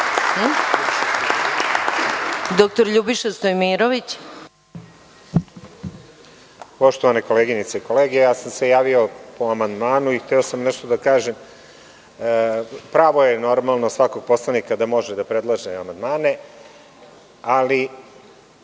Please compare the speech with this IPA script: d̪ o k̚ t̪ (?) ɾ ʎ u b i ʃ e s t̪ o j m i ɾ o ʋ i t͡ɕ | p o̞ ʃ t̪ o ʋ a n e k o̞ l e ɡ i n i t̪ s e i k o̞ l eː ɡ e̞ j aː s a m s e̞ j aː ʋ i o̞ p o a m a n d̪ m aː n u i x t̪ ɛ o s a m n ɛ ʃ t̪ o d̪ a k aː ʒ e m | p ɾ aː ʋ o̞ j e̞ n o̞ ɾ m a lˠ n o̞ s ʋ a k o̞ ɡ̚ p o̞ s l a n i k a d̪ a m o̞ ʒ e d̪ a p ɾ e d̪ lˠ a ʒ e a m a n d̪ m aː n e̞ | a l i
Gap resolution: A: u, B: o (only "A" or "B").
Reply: B